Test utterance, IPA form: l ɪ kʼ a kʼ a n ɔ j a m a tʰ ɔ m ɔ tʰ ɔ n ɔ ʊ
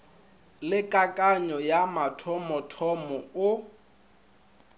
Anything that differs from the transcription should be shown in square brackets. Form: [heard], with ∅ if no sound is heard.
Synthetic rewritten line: l ɪ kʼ a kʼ a [ɲ] ɔ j a m a tʰ ɔ m ɔ tʰ ɔ [m] ɔ ʊ

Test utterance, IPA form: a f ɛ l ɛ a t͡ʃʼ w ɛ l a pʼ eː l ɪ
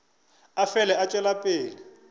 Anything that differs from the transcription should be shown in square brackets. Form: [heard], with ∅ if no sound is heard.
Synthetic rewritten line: a f ɛ l ɛ a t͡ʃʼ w ɛ l a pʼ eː l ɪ

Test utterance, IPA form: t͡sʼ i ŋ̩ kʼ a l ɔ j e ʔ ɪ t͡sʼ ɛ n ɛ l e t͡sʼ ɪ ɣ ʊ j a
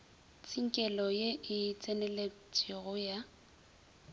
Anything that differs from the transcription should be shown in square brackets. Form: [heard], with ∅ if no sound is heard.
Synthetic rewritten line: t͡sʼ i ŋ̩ kʼ [ɛ] l ɔ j e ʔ ɪ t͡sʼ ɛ n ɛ l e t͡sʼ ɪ ɣ ʊ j a

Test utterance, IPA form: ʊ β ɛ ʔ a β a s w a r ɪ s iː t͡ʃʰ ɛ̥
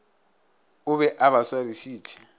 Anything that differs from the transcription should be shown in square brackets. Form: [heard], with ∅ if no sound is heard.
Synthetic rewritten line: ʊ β ɛ ʔ a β a s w a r [i] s iː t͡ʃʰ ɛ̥

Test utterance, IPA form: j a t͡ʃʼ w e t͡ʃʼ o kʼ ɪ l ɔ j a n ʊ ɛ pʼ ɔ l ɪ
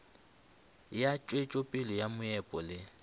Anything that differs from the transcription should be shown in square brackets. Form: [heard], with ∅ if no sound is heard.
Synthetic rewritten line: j a t͡ʃʼ w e t͡ʃʼ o [pʼ] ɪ l ɔ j a [m] ʊ ɛ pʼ ɔ l ɪ

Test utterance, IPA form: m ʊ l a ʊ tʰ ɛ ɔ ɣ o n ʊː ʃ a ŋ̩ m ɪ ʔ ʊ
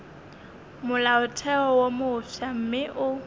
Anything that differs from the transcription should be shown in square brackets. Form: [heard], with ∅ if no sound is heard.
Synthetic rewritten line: m ʊ l a ʊ tʰ ɛ ɔ [w] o [m] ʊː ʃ a [m̩] m ɪ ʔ ʊ

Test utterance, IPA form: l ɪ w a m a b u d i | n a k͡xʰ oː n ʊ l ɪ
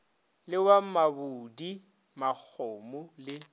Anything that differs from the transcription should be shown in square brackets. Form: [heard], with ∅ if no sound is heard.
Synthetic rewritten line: l ɪ w a m a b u d i | [m] a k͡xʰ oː [m] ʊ l ɪ

